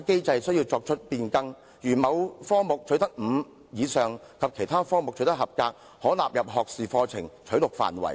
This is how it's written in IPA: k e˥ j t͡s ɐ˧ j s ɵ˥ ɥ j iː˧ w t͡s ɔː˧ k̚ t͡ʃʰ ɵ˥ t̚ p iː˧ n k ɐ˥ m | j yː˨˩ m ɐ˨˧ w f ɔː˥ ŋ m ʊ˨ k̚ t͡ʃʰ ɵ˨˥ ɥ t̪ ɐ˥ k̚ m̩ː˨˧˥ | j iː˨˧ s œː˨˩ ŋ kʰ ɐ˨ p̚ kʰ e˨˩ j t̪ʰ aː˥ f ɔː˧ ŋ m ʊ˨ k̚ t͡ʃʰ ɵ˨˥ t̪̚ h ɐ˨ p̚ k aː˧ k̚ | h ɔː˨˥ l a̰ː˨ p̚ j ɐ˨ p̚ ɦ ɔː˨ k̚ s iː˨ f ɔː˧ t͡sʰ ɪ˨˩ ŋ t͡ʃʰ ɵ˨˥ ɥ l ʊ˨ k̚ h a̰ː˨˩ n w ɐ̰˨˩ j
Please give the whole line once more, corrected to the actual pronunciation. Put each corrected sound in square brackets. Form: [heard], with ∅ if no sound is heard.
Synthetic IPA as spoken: k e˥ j t͡s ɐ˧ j s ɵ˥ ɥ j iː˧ w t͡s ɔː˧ k̚ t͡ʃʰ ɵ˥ t̚ p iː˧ n k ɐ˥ [ŋ] | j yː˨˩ m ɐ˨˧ w f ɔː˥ ŋ m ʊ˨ k̚ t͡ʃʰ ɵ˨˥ ɥ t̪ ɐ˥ k̚ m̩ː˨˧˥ | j iː˨˧ s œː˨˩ ŋ kʰ ɐ˨ p̚ kʰ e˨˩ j t̪ʰ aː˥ f [ɔː˥] ŋ m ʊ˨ k̚ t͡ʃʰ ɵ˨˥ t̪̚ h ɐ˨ p̚ k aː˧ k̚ | h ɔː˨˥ l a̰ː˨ p̚ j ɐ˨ p̚ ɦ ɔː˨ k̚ s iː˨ f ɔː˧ t͡sʰ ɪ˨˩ ŋ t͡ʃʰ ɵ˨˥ ɥ l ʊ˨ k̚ [f] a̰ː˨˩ n w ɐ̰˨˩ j